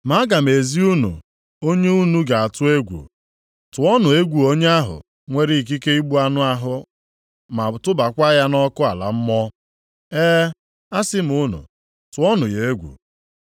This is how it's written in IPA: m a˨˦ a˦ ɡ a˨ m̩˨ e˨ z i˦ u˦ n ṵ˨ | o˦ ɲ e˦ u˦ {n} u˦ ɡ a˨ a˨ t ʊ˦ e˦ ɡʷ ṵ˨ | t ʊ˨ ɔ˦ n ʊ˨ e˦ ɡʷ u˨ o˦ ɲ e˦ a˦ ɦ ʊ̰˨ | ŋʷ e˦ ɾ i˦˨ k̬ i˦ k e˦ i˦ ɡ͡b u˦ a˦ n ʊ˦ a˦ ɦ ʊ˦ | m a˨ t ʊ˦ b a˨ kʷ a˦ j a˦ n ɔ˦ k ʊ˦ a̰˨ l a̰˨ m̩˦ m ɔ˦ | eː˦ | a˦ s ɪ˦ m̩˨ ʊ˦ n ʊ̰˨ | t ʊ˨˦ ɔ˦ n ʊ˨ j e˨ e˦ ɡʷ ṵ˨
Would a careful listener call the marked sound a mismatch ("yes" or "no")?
no